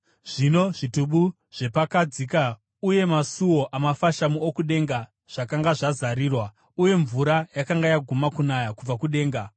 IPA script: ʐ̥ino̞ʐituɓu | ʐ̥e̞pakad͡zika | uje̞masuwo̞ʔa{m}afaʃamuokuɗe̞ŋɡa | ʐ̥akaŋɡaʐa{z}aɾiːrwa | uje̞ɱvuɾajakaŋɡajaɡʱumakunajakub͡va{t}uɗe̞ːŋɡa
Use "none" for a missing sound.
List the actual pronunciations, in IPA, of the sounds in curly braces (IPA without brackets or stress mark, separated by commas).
m, z, k